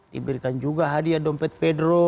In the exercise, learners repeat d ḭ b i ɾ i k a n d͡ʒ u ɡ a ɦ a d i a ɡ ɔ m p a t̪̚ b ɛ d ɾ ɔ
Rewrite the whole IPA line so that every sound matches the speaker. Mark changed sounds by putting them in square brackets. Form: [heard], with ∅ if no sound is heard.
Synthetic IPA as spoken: d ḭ b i ɾ i k a n d͡ʒ u ɡ a ɦ a d i a [d] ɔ m p [ɛ] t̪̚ [p] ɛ d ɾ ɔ